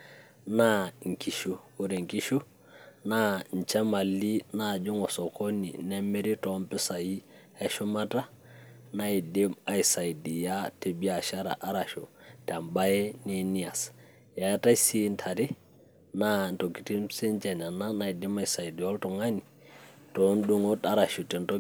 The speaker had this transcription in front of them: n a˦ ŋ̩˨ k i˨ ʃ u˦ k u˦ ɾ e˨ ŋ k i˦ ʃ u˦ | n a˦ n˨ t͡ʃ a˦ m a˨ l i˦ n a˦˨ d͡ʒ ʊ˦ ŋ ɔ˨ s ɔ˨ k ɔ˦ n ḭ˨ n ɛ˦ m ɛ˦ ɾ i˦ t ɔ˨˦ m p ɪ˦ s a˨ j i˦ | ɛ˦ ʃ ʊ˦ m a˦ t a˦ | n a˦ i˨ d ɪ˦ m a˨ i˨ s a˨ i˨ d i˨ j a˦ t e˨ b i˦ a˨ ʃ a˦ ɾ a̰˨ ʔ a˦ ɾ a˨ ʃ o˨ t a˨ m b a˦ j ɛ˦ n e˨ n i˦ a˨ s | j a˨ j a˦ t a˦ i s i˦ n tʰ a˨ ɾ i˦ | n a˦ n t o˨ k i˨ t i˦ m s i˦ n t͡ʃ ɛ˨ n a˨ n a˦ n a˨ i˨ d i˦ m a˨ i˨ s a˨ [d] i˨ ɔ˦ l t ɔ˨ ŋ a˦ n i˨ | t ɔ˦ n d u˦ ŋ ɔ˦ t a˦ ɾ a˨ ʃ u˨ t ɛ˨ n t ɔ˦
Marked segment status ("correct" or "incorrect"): correct